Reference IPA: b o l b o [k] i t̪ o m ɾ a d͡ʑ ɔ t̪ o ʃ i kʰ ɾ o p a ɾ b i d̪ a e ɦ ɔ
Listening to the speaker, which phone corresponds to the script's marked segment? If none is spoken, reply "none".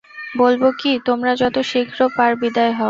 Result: k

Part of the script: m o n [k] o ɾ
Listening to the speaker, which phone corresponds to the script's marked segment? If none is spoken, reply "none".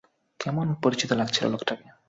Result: p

